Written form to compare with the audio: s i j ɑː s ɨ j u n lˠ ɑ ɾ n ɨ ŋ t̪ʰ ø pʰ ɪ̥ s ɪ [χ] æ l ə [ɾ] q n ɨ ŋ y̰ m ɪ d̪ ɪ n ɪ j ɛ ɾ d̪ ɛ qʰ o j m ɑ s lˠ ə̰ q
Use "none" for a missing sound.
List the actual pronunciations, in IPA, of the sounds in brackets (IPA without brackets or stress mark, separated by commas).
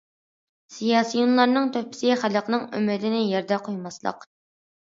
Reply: χ, none